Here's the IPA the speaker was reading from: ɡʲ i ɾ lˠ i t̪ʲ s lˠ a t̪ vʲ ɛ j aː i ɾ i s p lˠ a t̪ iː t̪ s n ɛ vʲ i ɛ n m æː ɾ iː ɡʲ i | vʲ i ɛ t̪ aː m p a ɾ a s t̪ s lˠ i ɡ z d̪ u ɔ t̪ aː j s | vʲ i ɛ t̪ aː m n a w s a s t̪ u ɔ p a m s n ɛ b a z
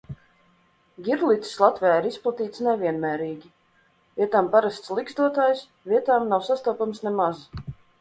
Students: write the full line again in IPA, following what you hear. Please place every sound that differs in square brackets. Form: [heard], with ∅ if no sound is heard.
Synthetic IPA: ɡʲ i ɾ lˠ i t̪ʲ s lˠ a t̪ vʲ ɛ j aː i ɾ i s p lˠ a t̪ iː t̪ s n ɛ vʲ i ɛ n m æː ɾ iː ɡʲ i | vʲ i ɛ t̪ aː m p a ɾ a s t̪ s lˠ i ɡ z d̪ u ɔ t̪ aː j s | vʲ i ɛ t̪ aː m n a w s a s t̪ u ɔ p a m s n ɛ [m] a z